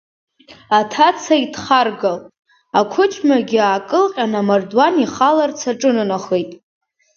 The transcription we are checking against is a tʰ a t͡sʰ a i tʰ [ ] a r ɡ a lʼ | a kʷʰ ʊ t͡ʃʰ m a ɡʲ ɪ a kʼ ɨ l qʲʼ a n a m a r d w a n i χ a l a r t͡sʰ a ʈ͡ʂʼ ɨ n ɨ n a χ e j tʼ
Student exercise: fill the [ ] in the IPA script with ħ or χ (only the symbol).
χ